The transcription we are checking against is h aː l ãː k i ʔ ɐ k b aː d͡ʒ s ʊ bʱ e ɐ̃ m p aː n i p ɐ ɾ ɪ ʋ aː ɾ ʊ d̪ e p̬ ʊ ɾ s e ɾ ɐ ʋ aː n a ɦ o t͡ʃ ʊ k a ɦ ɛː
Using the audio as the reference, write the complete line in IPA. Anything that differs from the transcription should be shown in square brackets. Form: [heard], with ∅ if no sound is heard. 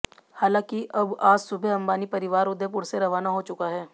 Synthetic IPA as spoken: h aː l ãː k i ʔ ɐ [∅] b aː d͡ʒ s ʊ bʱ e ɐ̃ m [b] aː n i p ɐ ɾ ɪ ʋ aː ɾ ʊ d̪ e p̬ ʊ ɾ s e ɾ ɐ ʋ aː n a ɦ o t͡ʃ ʊ k a ɦ ɛː